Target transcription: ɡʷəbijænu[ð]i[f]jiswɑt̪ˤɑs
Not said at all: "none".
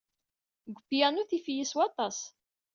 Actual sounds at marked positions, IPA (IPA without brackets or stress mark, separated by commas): θ, f